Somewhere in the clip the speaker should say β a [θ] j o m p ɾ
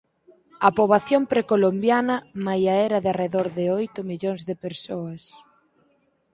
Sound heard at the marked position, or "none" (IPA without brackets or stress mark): θ